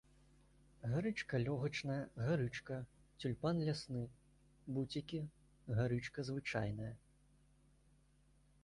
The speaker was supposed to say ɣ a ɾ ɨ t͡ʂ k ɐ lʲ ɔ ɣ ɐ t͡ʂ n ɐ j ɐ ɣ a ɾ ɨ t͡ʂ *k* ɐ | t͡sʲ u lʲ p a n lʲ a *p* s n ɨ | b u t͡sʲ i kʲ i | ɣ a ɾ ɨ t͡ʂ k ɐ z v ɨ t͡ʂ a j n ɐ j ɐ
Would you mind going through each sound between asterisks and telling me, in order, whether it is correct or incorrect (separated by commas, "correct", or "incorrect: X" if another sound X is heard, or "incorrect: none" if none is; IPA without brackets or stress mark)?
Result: correct, incorrect: none